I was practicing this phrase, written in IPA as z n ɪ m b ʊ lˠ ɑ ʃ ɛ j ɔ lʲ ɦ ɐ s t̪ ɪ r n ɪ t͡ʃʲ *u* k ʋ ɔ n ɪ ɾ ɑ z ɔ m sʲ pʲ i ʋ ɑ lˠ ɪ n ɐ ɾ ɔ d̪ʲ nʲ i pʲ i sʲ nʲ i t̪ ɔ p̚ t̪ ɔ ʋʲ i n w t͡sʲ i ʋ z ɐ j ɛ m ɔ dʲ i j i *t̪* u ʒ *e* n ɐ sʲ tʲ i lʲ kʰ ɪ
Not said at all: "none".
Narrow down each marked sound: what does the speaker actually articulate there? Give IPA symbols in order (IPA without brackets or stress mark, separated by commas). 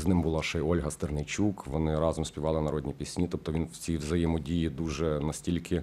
u, d̪, ɛ